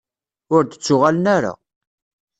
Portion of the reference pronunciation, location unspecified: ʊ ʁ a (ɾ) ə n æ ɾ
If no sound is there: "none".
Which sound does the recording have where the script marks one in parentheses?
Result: l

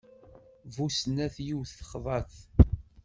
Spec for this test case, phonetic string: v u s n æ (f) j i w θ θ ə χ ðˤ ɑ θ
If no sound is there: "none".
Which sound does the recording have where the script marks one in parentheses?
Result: θ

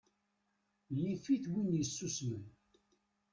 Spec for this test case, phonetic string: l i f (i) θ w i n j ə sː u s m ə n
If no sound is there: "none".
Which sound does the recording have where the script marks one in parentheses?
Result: i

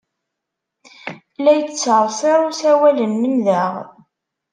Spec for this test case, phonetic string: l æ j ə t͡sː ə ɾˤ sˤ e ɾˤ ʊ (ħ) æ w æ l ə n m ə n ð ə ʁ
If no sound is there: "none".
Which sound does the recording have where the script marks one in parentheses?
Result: s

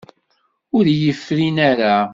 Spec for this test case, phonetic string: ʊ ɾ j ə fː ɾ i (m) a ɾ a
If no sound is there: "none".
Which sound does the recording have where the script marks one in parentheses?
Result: n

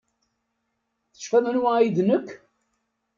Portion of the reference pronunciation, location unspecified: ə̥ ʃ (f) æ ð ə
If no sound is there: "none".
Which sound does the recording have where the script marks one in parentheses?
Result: f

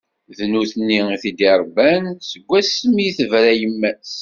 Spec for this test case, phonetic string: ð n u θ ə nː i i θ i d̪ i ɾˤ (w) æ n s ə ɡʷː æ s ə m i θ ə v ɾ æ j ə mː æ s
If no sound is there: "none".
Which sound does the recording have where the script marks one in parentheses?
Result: b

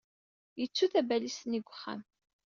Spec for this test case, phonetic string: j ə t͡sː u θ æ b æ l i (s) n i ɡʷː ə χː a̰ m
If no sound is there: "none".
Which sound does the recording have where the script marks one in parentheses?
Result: s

